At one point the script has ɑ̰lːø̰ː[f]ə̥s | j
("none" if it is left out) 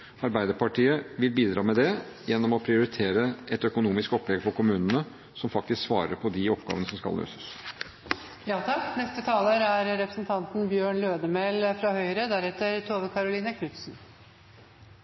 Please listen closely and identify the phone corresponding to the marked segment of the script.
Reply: s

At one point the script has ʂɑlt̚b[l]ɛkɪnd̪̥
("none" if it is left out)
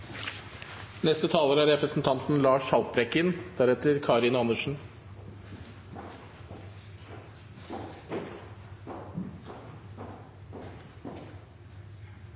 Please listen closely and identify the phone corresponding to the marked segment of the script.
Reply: ɾ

